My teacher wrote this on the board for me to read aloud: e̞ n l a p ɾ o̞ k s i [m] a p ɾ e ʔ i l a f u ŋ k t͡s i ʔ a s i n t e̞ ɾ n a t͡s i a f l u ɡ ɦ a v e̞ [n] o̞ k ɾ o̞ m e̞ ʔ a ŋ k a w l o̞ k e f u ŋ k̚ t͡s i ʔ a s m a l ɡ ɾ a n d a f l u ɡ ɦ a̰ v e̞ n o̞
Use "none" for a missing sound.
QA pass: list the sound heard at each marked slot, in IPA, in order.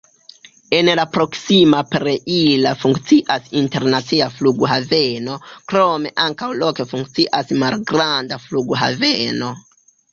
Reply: m, n

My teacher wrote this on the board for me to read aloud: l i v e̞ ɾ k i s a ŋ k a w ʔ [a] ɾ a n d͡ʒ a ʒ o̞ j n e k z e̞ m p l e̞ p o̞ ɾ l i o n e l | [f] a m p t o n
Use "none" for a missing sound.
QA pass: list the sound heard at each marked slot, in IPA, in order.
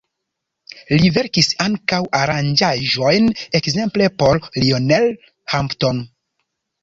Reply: a, h

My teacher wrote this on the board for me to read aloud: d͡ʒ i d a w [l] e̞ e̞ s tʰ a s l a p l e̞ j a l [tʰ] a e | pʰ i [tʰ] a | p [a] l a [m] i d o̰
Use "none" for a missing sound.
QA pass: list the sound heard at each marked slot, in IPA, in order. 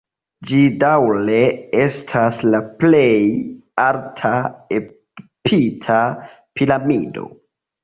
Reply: l, tʰ, tʰ, i, m

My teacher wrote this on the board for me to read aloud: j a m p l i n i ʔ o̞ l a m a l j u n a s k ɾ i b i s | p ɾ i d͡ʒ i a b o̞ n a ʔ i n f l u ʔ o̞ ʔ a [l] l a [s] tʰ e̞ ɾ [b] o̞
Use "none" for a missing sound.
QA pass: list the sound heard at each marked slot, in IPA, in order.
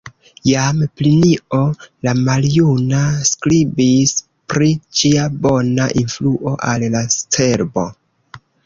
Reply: l, s, b

